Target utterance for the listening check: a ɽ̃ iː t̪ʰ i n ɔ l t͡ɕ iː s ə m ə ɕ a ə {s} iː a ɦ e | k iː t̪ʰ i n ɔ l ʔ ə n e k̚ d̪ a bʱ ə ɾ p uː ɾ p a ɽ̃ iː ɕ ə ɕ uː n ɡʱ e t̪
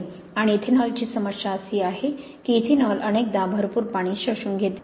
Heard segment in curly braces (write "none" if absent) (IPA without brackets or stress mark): s